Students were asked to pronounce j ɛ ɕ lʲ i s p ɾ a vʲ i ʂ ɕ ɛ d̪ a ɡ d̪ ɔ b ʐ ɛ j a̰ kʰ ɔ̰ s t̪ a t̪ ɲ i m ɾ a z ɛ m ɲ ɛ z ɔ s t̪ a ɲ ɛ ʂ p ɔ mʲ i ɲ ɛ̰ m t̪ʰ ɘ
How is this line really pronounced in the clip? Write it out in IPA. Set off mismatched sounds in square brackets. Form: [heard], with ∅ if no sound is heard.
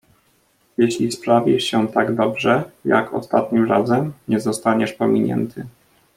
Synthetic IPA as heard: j ɛ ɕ lʲ i s p ɾ a vʲ i ʂ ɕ ɛ [t̪] a ɡ d̪ ɔ b ʐ ɛ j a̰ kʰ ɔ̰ s t̪ a t̪ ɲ i m ɾ a z ɛ m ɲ ɛ z ɔ s t̪ a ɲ ɛ ʂ p ɔ mʲ i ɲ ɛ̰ [n] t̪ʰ ɘ